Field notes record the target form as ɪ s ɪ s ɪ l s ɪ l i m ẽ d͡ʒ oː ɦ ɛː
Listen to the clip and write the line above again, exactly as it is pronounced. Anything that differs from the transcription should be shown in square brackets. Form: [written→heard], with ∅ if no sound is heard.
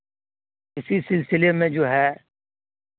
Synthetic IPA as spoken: ɪ s [ɪ→i] s ɪ l s ɪ l [i→e] m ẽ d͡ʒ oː ɦ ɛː